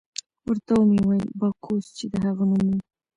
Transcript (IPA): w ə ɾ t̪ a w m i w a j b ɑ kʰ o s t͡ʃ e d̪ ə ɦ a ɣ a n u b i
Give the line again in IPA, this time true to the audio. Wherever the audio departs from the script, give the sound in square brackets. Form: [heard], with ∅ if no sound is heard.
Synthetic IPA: w ə ɾ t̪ a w m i w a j b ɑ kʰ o s t͡ʃ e d̪ ə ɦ a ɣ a n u [m] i